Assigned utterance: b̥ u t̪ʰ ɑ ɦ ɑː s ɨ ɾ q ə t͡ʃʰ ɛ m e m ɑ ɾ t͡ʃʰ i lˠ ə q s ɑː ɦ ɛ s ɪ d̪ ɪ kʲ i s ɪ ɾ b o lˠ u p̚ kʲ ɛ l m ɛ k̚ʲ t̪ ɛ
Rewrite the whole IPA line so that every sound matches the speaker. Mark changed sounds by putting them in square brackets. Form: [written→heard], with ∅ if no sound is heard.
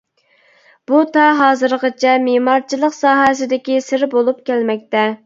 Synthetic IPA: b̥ u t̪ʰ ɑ ɦ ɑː [s→z] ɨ ɾ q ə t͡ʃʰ ɛ m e m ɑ ɾ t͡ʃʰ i lˠ ə q s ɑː ɦ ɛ s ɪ d̪ ɪ kʲ i s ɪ ɾ b o lˠ u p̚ kʲ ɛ l m ɛ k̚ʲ t̪ ɛ